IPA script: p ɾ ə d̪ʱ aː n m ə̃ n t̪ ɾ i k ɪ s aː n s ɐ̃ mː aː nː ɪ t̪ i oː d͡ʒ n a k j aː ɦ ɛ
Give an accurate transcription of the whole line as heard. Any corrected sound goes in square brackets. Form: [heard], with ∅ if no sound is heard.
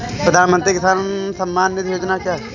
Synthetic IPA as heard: p ɾ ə d̪ʱ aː n m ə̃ n t̪ ɾ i k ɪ s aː n s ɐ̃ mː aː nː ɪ t̪ [j] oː d͡ʒ n a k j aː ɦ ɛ